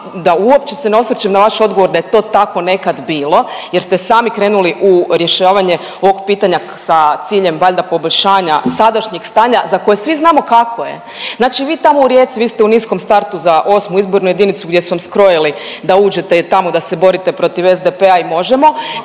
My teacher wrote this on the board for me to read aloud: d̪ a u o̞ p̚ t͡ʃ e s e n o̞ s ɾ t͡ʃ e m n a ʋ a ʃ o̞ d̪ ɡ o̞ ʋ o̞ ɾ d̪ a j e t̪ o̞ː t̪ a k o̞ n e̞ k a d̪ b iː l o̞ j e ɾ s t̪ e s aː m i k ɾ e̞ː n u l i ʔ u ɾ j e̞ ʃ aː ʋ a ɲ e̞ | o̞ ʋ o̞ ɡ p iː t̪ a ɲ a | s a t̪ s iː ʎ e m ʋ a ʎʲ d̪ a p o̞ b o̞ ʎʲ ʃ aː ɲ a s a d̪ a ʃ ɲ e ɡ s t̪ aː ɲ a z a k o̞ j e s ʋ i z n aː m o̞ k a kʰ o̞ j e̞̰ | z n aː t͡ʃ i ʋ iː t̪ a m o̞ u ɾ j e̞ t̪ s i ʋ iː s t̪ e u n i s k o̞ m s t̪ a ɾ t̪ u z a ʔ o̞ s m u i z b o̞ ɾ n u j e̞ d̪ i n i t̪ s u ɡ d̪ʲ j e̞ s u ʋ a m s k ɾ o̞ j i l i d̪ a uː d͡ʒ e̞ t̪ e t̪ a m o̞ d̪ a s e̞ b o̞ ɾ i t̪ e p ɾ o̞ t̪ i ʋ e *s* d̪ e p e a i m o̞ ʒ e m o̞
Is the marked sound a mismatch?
yes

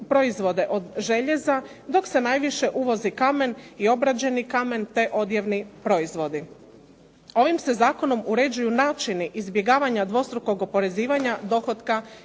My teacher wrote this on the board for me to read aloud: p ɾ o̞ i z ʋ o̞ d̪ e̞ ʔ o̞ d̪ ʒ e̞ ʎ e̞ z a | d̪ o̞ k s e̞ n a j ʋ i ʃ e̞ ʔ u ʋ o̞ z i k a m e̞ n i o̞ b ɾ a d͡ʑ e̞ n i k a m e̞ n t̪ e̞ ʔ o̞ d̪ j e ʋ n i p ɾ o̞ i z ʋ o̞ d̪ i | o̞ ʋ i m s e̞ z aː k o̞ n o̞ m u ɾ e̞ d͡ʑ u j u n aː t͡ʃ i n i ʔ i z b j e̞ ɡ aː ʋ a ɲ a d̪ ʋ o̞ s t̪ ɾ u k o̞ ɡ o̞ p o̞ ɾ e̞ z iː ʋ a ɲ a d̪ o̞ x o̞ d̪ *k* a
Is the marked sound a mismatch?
no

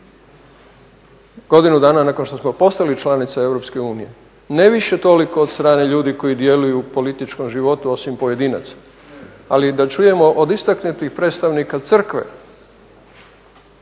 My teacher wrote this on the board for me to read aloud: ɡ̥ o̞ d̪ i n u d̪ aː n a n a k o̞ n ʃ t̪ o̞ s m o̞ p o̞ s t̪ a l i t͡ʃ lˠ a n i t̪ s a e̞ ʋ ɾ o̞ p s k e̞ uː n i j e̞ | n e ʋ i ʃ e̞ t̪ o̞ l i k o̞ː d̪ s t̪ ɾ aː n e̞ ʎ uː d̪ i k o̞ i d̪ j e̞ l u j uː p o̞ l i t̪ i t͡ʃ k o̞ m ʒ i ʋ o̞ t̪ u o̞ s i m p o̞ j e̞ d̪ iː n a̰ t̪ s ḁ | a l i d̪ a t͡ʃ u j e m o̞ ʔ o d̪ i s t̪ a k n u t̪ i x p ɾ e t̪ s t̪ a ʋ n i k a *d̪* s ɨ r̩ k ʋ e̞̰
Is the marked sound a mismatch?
yes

